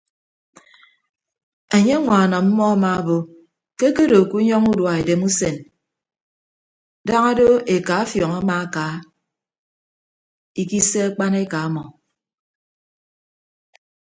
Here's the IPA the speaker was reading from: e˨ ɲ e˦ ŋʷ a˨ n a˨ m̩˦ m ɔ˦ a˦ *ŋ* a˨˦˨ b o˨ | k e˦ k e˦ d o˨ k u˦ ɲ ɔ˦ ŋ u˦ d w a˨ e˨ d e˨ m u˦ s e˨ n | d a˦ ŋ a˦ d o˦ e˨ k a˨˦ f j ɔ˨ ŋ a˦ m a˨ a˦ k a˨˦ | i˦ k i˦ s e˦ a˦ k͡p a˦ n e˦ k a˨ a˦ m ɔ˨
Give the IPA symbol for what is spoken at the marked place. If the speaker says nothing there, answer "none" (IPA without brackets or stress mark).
m